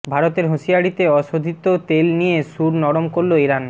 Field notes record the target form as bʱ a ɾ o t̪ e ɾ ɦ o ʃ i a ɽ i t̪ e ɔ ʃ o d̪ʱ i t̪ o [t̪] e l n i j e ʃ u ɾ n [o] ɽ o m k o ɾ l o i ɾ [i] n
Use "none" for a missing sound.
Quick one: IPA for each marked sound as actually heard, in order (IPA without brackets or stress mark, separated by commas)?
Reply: t̪, ɔ, a